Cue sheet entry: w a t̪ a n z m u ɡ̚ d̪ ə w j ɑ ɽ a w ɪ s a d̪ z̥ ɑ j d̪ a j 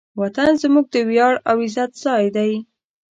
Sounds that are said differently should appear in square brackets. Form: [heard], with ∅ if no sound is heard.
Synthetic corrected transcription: w a t̪ a n z m u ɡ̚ d̪ ə w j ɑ ɽ a w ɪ [z] a [t̪] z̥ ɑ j d̪ a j